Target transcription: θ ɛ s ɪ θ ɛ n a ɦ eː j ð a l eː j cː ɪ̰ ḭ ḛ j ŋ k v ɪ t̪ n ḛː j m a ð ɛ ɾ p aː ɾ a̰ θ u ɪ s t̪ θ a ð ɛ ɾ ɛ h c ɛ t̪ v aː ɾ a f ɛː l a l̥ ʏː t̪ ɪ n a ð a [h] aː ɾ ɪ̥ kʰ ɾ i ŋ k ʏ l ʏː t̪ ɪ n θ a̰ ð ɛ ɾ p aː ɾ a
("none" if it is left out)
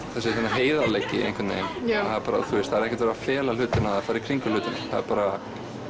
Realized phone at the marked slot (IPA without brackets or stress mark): f